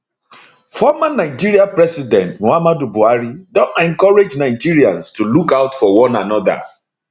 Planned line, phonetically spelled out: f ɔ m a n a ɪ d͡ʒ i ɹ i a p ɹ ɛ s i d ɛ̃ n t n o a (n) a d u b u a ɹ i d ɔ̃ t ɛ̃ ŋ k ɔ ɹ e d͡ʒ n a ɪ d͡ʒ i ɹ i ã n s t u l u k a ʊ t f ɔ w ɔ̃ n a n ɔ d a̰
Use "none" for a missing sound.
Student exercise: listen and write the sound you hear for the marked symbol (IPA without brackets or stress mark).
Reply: m